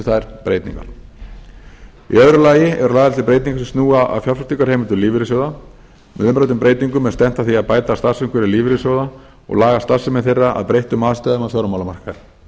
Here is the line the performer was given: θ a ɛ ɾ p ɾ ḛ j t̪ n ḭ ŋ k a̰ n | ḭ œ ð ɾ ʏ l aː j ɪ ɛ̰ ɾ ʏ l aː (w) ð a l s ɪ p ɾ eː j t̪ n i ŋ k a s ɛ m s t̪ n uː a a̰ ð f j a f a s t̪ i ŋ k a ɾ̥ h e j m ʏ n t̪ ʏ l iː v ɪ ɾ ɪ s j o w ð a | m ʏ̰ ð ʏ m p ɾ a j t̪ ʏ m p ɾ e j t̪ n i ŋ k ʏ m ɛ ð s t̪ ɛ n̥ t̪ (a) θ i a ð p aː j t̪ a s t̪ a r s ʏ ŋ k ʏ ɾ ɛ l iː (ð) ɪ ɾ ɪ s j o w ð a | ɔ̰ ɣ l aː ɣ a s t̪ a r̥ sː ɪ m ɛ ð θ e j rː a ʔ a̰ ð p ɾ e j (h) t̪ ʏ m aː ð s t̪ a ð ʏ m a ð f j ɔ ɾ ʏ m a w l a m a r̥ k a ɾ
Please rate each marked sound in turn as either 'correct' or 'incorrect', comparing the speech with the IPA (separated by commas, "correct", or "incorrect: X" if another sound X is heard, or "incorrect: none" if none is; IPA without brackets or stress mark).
incorrect: ɣ, correct, incorrect: v, correct